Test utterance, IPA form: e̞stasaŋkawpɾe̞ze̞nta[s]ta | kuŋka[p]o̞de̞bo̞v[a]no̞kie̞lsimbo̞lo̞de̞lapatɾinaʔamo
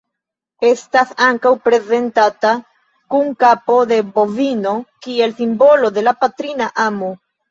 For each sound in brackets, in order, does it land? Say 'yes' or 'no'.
no, yes, no

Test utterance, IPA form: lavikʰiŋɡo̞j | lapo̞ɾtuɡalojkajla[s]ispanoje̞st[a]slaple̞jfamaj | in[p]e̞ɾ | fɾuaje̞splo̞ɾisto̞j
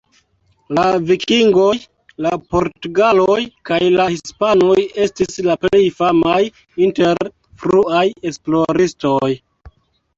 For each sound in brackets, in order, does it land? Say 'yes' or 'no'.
no, no, no

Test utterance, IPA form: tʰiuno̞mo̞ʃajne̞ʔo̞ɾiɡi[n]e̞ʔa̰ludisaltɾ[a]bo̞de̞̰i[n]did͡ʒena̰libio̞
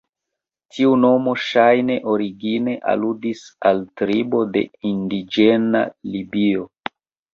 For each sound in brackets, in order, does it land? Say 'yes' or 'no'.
yes, no, yes

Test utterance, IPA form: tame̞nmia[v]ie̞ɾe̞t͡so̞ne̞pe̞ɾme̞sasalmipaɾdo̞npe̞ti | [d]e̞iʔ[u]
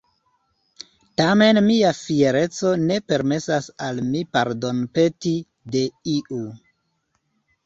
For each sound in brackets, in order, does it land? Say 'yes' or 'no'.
no, yes, yes

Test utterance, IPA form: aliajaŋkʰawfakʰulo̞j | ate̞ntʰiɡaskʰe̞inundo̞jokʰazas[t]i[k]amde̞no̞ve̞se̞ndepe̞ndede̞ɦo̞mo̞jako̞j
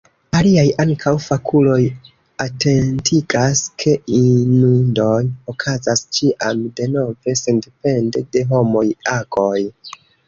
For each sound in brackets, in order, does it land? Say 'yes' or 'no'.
no, no

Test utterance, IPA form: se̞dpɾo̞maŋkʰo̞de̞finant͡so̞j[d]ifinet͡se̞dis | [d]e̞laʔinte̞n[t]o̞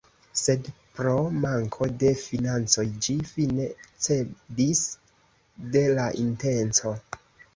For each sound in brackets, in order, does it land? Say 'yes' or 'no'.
no, yes, no

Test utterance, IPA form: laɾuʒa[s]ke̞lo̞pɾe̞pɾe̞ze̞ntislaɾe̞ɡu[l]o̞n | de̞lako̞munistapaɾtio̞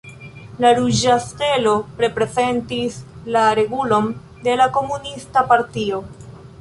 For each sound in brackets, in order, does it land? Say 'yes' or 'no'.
yes, yes

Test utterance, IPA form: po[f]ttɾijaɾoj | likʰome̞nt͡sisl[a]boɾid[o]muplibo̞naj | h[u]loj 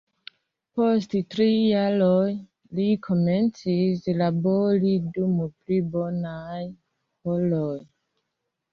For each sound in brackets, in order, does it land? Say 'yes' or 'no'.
no, yes, no, no

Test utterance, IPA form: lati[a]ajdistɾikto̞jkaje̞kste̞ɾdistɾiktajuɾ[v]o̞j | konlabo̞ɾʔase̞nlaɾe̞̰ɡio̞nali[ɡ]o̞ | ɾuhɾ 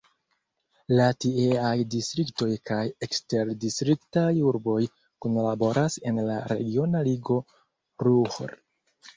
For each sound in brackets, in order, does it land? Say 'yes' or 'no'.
no, no, yes

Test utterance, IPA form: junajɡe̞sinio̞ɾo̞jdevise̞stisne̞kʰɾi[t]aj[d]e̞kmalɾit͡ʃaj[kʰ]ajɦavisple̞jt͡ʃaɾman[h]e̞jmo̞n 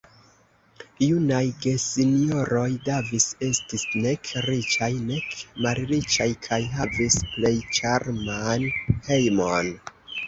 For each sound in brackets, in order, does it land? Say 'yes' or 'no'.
no, no, yes, yes

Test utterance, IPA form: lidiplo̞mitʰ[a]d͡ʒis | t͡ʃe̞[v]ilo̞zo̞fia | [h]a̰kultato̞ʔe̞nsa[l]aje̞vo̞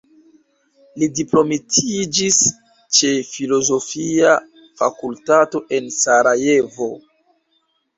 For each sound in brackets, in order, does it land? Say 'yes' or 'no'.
no, no, no, no

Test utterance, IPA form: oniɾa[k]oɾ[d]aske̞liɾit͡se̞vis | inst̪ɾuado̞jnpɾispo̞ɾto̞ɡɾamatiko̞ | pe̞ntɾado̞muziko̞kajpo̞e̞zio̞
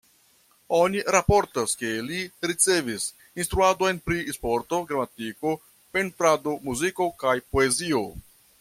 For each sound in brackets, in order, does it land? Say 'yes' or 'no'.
no, no

